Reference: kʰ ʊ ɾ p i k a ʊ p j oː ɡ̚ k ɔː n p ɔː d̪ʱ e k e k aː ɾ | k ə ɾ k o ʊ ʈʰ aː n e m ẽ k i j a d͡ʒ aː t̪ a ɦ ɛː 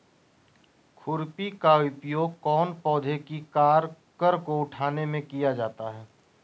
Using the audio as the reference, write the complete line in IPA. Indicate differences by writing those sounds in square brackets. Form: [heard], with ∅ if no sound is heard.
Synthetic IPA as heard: kʰ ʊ ɾ p i k a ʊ p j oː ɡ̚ k ɔː n p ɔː d̪ʱ e k [i] k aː ɾ | k ə ɾ k o ʊ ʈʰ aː n e m ẽ k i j a d͡ʒ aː t̪ a ɦ ɛː